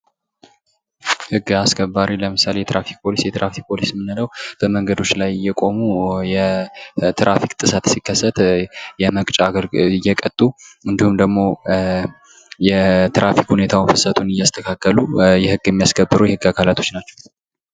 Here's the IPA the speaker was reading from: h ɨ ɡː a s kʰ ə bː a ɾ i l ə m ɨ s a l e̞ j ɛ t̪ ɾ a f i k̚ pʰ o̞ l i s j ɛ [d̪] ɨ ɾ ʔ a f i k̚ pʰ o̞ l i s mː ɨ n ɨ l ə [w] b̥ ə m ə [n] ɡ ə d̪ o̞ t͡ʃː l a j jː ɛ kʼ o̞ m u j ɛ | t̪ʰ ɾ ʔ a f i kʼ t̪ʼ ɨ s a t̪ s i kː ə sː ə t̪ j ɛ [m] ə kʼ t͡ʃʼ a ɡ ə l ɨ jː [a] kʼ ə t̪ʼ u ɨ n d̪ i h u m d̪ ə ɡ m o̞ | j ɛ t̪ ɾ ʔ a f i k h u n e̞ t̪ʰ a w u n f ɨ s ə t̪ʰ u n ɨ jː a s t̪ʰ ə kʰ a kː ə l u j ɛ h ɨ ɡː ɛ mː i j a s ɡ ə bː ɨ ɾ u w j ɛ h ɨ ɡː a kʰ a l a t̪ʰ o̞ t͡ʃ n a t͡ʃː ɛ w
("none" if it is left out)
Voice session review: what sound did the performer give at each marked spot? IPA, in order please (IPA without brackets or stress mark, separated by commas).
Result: t̪, w, ŋ, m, ɛ